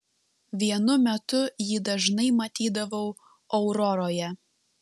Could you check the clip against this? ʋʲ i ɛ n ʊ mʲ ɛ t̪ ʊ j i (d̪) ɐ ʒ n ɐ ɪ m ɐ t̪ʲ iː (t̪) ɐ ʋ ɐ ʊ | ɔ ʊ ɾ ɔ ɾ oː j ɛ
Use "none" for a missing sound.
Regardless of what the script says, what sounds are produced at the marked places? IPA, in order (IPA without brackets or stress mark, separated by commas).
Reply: d̪, d̪